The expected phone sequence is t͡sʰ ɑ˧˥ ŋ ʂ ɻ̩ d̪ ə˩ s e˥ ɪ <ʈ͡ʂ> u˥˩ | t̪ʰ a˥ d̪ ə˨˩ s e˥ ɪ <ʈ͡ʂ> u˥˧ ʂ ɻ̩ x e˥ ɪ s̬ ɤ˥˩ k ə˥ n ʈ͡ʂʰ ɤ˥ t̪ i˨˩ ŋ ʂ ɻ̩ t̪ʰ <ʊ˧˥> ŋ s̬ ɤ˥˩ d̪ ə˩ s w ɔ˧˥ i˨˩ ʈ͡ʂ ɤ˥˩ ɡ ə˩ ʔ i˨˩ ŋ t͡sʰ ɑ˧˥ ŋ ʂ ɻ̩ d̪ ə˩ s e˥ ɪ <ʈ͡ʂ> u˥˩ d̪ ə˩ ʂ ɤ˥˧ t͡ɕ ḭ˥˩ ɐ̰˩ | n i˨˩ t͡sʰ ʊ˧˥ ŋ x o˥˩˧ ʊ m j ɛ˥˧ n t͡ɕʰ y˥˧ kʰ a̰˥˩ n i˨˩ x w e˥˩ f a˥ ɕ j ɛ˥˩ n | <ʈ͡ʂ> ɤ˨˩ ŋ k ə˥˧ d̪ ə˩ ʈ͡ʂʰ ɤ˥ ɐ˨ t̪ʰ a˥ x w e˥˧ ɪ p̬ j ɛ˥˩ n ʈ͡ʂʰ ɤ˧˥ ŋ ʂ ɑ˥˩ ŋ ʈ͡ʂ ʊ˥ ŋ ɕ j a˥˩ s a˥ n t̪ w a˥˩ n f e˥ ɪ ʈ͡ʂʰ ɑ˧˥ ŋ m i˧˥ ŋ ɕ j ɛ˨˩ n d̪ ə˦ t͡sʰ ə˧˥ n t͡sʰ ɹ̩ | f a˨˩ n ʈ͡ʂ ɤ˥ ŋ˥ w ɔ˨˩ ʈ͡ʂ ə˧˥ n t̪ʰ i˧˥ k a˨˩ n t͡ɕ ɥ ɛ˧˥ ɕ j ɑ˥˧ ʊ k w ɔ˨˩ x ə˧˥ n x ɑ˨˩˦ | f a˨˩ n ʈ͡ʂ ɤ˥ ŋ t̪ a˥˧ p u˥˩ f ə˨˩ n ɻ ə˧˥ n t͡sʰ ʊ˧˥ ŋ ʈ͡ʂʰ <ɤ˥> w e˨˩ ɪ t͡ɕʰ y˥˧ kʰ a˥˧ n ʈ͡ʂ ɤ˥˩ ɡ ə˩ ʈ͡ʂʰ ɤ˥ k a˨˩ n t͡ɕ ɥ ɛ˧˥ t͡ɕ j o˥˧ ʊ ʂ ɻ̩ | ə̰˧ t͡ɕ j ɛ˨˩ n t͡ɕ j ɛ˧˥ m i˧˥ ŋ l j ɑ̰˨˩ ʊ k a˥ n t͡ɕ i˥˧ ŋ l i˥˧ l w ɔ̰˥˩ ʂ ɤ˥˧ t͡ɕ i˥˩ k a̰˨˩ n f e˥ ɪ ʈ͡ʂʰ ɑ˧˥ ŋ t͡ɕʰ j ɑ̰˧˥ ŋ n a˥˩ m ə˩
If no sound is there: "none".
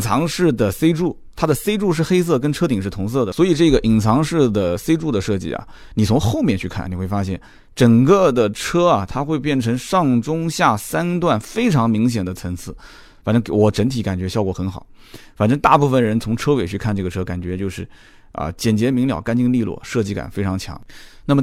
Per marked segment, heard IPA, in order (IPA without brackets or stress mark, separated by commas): ʈ͡ʂ, ʈ͡ʂ, ʊ˧˥, ʈ͡ʂ, ʈ͡ʂ, ɤ˥